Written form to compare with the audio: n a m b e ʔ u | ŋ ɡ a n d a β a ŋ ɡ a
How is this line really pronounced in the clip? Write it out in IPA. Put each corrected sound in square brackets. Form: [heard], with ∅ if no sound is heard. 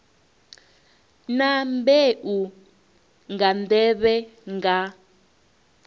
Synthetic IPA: n a m b e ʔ u | ŋ ɡ a n d [ɛ] β [ɛ] ŋ ɡ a